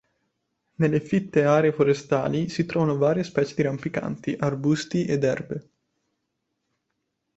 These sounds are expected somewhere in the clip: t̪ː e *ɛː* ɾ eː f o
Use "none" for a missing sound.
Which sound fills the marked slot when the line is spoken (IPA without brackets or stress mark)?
aː